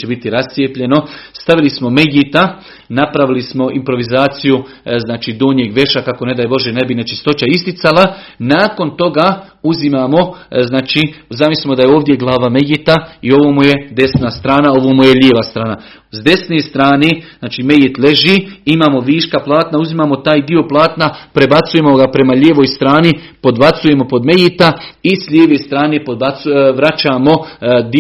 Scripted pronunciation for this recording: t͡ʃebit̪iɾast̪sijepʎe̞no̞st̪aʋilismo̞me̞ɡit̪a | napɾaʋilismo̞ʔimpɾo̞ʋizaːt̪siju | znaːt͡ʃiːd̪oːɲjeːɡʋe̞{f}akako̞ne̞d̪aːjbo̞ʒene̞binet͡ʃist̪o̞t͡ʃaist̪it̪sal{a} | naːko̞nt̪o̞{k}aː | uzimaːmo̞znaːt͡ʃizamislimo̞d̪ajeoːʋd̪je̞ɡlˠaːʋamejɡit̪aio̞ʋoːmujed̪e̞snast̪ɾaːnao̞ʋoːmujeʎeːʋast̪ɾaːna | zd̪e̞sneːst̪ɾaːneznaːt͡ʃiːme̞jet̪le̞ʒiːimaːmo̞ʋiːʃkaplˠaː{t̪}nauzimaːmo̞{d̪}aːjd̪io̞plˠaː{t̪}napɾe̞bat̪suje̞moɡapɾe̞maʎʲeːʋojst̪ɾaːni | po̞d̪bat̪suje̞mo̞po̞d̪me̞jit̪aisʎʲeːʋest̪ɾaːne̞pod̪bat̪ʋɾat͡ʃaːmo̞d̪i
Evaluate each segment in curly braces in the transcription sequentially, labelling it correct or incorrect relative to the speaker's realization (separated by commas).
incorrect, correct, incorrect, correct, incorrect, correct